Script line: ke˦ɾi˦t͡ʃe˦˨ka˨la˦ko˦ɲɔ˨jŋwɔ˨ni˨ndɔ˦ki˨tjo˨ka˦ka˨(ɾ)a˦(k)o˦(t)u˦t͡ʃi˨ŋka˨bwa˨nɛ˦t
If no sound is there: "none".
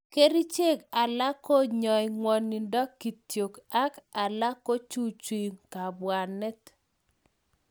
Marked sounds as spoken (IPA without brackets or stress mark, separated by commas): l, k, t͡ʃ